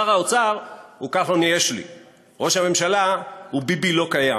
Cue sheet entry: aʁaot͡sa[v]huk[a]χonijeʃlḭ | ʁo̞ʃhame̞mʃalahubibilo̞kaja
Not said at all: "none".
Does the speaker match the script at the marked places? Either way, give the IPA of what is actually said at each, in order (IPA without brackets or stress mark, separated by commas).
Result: ʁ, a